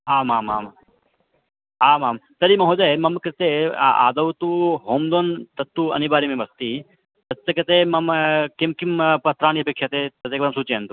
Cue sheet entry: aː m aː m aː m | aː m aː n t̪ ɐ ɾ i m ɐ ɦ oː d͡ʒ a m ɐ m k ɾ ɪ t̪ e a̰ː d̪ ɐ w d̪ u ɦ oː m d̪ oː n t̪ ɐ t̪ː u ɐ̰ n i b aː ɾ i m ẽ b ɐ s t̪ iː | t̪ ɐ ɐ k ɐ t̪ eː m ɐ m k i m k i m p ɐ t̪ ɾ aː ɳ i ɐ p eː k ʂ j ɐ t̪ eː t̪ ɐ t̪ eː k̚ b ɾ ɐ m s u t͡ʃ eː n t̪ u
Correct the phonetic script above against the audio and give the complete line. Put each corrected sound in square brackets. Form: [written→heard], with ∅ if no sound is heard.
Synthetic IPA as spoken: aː m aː m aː m | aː m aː [n→m] t̪ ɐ ɾ i m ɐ ɦ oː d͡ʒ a m ɐ m k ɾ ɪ t̪ e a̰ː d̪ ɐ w [d̪→t̪] u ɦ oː m d̪ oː n t̪ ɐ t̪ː u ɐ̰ n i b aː ɾ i m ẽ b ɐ s t̪ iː | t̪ ɐ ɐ k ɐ t̪ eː m ɐ m k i m k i m p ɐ t̪ ɾ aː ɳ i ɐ p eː k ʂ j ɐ t̪ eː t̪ ɐ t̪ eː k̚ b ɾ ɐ m s u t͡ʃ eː n t̪ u